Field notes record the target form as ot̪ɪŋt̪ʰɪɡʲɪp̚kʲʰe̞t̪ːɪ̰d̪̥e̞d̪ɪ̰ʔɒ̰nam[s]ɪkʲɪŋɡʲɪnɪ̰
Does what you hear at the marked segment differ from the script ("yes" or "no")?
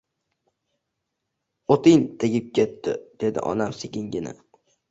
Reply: no